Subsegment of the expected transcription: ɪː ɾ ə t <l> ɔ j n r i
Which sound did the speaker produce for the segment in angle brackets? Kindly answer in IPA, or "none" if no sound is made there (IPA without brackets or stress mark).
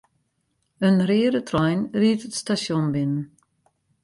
r